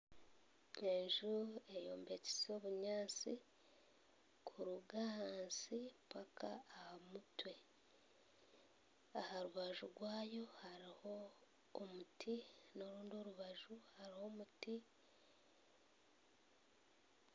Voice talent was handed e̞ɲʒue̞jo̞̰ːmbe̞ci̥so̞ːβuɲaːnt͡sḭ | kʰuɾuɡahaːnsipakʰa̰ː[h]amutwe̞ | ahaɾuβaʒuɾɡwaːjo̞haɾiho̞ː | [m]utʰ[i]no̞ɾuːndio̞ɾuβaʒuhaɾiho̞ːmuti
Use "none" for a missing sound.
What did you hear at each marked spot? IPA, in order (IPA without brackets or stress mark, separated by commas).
h, m, i